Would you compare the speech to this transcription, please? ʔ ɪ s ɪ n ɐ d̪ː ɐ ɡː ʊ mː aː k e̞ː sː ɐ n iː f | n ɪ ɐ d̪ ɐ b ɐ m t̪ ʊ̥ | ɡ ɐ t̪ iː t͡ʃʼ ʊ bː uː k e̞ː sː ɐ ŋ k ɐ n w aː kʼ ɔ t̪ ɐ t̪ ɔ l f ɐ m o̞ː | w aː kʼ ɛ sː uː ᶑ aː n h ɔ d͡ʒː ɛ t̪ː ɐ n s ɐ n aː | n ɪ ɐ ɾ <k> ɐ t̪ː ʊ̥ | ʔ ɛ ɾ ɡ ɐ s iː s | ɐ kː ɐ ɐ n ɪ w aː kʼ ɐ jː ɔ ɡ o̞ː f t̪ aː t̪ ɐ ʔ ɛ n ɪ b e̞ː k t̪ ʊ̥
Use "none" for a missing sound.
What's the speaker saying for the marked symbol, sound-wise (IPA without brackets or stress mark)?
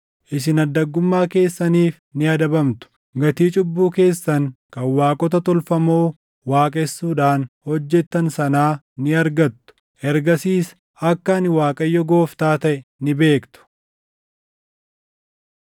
ɡ